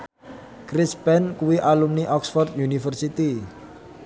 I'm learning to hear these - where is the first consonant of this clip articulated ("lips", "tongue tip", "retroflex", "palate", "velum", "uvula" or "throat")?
velum